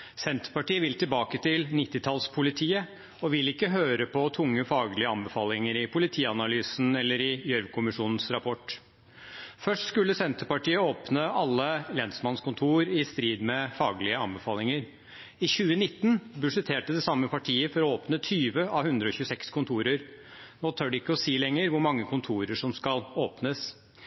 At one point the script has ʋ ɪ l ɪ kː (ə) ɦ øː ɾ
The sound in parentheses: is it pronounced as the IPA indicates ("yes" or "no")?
yes